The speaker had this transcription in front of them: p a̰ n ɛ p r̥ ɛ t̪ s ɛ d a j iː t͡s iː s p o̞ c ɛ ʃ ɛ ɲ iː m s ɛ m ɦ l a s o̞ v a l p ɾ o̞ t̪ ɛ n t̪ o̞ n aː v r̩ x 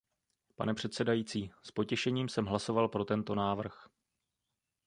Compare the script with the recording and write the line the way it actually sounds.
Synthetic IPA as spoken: p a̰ n ɛ p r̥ ɛ t̪ s ɛ d a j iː t͡s iː s p o̞ c ɛ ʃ ɛ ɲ iː m s ɛ m ɦ l a s o̞ v a l p ɾ o̞ t̪ ɛ n t̪ o̞ n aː v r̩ x